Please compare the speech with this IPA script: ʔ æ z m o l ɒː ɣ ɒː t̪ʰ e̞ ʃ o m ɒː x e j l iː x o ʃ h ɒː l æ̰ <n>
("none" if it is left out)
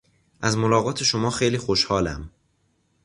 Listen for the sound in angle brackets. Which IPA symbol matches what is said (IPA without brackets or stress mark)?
m